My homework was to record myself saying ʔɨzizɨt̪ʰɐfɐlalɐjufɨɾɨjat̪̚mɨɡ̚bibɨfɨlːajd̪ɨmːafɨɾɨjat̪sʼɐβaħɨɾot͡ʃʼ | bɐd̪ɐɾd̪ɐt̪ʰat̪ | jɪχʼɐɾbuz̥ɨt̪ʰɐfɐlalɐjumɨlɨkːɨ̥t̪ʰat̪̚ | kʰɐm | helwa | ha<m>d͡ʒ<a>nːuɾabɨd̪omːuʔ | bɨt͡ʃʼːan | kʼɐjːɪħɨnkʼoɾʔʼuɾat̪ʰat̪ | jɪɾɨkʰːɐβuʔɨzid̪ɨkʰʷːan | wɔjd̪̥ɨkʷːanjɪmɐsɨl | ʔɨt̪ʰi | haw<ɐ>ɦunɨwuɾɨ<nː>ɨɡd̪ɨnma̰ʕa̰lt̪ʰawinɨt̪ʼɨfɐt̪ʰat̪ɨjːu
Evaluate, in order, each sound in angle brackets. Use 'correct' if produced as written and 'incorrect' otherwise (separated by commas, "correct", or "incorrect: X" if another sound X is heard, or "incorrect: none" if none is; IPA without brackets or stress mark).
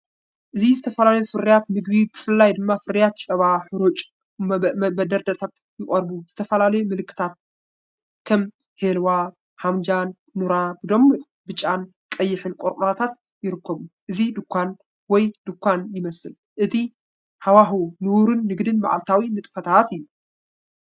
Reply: correct, correct, incorrect: a, correct